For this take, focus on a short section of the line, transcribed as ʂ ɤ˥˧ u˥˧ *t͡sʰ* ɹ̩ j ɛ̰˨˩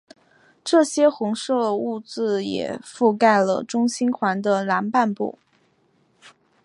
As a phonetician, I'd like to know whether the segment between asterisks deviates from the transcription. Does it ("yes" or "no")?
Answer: yes